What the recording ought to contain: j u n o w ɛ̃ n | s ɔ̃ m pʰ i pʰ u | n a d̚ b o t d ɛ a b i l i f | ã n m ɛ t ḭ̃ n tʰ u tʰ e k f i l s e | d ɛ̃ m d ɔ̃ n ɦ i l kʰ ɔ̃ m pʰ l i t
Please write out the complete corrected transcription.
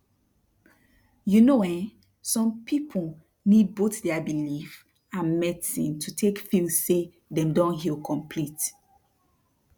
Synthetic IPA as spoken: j u n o w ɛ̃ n | s ɔ̃ m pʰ i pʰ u | n i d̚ b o t d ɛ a b i l i f | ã n m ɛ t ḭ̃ n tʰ u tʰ e k f i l s e | d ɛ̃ m d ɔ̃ n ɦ i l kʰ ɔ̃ m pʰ l i t